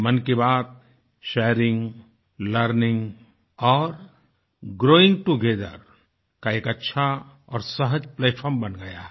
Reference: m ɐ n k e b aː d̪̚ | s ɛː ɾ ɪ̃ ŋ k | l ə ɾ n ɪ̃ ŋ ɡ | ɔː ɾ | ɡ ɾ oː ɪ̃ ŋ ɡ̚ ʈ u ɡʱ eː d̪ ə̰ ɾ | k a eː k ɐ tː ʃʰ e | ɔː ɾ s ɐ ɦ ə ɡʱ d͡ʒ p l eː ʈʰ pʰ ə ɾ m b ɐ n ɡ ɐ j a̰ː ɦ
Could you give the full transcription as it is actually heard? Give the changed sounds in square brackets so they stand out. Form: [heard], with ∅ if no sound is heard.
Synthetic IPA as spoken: m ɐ n k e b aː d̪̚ | [ʃ] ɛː ɾ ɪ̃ ŋ [ɡ] | l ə ɾ n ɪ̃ ŋ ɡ | ɔː ɾ | ɡ ɾ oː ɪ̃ ŋ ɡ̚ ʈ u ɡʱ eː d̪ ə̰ ɾ | k a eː k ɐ tː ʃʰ [a] | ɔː ɾ s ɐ ɦ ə [∅] d͡ʒ p l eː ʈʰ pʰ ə ɾ m b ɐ n ɡ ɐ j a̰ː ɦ